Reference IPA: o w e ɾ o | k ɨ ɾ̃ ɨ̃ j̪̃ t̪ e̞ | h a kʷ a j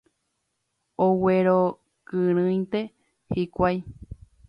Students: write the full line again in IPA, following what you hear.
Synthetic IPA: o w e ɾ o | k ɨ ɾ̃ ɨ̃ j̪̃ t̪ e̞ | h i kʷ a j